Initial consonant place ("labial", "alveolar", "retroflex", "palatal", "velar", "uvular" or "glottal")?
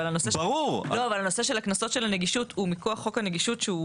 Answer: alveolar